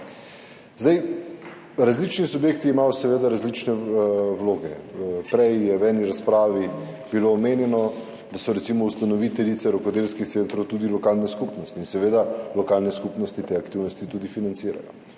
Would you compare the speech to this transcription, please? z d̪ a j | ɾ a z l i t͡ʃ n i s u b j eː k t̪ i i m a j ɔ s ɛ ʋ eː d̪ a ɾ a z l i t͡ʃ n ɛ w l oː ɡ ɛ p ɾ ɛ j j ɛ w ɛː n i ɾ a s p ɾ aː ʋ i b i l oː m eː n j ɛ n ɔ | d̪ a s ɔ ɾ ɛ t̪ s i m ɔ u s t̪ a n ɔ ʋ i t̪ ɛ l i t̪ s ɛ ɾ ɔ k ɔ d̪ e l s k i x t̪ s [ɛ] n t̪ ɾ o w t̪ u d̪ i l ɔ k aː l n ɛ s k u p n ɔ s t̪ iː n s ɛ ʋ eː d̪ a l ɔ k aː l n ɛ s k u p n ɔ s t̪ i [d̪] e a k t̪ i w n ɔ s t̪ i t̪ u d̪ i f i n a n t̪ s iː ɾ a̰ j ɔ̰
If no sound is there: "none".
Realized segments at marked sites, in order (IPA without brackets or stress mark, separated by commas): e, t̪